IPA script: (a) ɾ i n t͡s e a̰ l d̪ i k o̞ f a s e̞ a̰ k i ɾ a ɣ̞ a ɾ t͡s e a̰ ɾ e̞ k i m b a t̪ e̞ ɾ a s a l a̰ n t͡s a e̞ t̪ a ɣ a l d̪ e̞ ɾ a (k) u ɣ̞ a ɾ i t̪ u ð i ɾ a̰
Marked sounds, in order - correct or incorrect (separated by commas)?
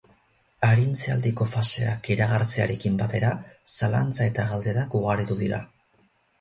correct, correct